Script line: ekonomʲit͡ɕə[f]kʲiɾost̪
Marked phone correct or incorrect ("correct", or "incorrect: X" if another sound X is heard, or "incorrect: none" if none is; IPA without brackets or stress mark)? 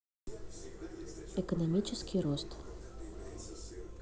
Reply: incorrect: s